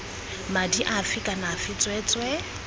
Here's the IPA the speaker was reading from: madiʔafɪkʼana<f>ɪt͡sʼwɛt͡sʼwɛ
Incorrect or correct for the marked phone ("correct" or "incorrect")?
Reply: correct